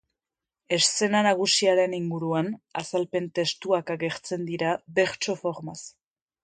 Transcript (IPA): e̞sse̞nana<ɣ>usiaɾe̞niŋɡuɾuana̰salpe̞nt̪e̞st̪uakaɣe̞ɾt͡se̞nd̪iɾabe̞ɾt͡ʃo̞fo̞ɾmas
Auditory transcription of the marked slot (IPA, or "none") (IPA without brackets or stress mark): ɣ